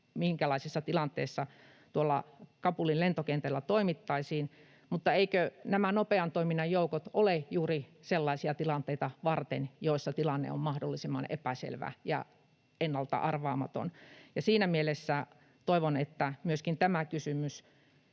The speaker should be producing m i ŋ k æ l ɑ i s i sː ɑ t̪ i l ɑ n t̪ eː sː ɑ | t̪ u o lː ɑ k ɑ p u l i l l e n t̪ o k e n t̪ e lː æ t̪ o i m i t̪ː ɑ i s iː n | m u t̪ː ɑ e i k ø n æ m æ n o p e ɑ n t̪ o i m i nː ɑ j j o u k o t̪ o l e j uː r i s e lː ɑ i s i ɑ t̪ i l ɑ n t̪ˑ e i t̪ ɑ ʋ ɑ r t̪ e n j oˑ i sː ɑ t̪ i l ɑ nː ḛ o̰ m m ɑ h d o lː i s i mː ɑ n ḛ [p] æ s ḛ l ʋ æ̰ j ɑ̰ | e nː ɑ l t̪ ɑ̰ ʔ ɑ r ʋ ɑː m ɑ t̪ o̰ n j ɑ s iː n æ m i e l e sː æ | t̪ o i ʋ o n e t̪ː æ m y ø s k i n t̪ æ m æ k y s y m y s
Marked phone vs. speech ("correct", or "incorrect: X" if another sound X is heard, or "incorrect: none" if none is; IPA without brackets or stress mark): correct